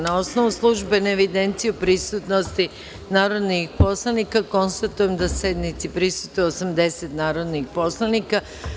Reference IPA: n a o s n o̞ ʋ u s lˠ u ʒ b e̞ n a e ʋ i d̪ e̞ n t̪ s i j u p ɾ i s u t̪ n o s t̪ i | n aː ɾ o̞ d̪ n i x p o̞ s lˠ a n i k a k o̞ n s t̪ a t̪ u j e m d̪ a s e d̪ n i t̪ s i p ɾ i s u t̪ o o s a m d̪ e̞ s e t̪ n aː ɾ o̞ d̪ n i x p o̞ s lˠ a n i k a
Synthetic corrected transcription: n a o s n o̞ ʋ u s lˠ u ʒ b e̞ n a e ʋ i d̪ e̞ n t̪ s i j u p ɾ i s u t̪ n o s t̪ i | n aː ɾ o̞ d̪ n i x p o̞ s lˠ a n i k a k o̞ n s t̪ a t̪ u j e m d̪ a s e d̪ n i t̪ s i p ɾ i s u t̪ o o s a m d̪ e̞ s e t̪ n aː ɾ o̞ d̪ n i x p o̞ s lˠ a n i k a